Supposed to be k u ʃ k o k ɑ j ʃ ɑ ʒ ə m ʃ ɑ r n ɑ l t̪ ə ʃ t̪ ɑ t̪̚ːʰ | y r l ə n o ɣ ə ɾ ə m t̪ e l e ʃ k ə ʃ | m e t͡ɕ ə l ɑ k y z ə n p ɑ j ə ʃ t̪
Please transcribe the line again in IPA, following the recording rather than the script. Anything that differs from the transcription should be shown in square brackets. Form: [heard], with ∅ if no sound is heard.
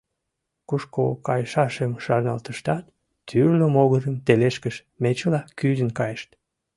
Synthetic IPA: k u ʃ k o k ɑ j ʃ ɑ [ʃ] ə m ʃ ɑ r n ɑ l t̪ ə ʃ t̪ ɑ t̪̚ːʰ | y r l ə [m] o ɣ ə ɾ ə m t̪ e l e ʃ k ə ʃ | m e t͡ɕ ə l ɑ k y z ə n [k] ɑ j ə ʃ t̪